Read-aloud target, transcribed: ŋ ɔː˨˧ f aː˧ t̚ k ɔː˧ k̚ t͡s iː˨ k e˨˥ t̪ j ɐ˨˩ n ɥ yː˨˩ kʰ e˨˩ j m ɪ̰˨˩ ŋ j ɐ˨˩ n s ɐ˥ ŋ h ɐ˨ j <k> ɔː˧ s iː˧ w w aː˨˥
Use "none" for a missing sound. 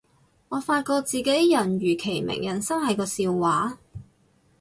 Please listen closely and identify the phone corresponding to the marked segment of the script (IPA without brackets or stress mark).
k